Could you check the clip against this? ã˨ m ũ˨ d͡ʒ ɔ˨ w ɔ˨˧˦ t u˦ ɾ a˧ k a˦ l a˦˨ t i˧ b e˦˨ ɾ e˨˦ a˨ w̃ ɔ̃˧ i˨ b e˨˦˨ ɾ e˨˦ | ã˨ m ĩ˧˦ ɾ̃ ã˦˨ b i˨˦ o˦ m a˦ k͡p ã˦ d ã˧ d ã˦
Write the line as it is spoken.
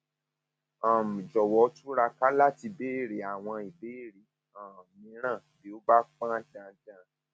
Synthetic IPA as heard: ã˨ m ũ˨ d͡ʒ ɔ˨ w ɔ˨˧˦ t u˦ ɾ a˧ k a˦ l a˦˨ t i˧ b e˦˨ ɾ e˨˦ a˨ w̃ ɔ̃˧ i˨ b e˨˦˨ ɾ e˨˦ | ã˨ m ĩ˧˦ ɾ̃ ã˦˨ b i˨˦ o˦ b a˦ k͡p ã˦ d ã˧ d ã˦